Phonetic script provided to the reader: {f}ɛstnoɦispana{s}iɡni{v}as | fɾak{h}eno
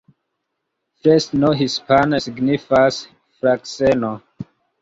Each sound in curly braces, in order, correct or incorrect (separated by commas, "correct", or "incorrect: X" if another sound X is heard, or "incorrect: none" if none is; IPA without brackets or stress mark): correct, correct, incorrect: f, incorrect: s